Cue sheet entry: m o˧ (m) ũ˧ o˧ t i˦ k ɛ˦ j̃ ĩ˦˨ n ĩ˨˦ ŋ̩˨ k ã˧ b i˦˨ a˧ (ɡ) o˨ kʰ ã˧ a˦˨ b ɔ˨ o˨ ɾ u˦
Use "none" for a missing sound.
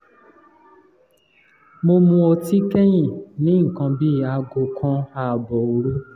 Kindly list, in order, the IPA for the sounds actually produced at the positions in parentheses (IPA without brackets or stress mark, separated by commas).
m, ɡ